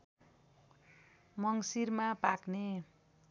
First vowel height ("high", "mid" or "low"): mid